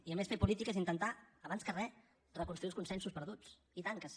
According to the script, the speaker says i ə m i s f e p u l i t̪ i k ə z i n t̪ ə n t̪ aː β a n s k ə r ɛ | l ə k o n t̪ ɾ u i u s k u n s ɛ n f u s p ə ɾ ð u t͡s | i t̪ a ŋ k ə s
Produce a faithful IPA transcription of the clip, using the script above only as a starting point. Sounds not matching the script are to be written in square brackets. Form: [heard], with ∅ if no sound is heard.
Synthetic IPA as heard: i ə m [e] s f e p u l i t̪ i k ə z i n t̪ ə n t̪ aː β a n s k ə r ɛ | [r] ə k [u] n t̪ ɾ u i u s k u n s ɛ n [s] u s p ə ɾ ð u t͡s | i t̪ a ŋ k ə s